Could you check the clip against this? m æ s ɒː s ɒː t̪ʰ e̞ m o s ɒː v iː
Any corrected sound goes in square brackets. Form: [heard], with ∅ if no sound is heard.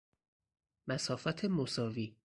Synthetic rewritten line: m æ s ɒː [f] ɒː t̪ʰ e̞ m o s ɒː v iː